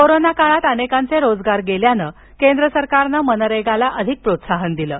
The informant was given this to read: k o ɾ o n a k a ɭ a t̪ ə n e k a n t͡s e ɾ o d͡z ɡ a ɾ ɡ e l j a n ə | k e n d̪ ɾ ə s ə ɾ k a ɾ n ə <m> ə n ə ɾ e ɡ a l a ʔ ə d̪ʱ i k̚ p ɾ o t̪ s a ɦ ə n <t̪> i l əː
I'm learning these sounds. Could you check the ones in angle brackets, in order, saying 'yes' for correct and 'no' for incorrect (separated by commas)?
yes, no